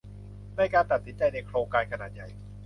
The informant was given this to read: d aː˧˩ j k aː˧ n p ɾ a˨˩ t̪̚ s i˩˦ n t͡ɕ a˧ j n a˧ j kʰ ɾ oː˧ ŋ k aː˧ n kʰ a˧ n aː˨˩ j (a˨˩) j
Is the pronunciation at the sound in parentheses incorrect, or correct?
correct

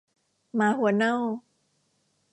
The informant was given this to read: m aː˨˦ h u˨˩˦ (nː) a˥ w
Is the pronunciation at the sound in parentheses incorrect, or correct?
incorrect: n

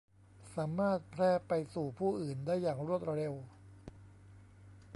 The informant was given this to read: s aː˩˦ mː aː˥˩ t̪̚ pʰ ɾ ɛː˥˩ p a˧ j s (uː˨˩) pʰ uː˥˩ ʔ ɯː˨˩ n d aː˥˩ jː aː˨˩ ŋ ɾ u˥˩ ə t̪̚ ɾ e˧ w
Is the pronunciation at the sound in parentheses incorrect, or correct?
correct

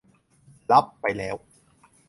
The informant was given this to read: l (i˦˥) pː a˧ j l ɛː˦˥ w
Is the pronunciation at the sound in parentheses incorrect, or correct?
incorrect: a˦˥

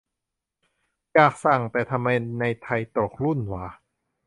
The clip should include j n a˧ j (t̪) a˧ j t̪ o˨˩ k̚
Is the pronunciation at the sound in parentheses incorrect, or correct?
incorrect: t̪ʰ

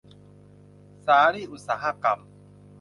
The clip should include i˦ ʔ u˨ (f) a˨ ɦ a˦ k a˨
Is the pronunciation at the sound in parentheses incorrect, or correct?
incorrect: s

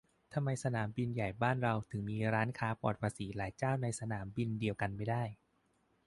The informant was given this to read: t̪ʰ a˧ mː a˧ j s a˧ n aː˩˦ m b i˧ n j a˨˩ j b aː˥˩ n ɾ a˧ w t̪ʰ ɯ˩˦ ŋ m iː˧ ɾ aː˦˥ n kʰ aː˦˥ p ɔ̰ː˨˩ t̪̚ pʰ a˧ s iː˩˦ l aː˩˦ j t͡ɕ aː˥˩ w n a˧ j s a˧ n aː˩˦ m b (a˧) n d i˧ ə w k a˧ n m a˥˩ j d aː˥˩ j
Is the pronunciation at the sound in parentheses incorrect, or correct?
incorrect: i˧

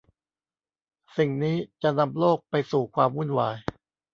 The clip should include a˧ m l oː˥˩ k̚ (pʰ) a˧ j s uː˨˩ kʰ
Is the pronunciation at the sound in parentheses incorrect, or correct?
incorrect: p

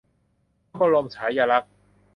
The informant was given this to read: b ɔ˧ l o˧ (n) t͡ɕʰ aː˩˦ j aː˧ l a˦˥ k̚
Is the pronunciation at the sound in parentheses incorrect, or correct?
incorrect: m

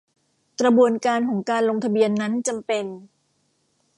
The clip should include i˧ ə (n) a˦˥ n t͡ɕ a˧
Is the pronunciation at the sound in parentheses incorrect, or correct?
incorrect: nː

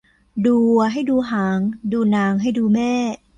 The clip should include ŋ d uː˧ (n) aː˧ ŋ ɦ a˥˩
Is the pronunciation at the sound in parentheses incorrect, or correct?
correct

